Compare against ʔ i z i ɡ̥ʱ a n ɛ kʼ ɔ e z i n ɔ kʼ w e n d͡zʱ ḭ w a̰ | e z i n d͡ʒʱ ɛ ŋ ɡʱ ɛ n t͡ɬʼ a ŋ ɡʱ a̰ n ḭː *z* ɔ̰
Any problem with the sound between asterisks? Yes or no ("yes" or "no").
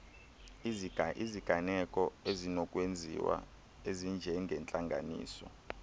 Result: yes